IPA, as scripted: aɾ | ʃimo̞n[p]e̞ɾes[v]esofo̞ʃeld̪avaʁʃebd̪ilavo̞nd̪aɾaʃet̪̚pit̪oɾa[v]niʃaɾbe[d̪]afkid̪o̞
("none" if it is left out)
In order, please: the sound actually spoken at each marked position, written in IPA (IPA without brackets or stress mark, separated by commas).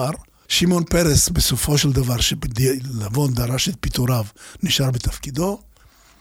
p, b, v, t̪